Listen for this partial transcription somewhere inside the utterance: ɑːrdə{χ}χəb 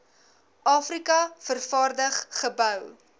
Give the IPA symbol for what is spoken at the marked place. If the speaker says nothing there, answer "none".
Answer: χ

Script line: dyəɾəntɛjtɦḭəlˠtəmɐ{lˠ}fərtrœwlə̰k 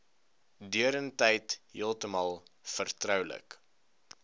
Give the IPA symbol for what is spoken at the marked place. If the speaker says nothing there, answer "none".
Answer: lˠ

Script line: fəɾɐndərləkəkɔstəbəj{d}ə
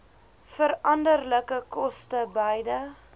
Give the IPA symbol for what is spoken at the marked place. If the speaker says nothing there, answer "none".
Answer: d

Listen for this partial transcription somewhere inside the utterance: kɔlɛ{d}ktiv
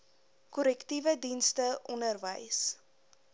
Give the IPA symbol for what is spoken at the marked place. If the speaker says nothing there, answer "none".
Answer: none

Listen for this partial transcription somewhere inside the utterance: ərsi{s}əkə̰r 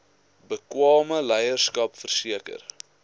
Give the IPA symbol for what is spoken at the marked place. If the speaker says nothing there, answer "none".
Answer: none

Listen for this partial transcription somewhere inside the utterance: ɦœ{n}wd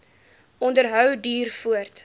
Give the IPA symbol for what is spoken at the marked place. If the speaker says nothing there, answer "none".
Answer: none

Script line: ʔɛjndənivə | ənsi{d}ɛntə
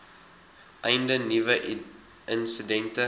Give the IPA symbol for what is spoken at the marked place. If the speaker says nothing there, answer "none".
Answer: d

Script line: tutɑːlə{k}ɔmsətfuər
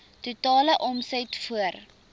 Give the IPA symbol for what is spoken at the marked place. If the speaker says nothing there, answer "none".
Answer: ʔ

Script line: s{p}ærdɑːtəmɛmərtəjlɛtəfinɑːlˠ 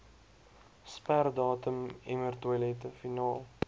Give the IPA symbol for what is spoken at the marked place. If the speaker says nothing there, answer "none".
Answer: p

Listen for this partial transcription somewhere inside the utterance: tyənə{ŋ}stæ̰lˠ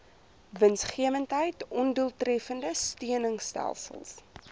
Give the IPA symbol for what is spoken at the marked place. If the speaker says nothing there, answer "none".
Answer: ŋ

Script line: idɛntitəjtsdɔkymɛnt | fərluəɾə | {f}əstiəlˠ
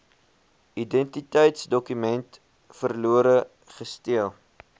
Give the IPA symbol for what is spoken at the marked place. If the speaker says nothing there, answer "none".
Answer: χ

